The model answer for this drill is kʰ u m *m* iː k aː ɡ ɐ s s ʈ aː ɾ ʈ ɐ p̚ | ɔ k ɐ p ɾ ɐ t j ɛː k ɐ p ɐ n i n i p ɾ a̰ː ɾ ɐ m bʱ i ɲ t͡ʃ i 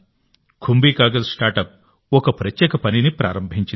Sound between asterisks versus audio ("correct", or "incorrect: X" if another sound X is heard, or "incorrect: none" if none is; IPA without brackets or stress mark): incorrect: b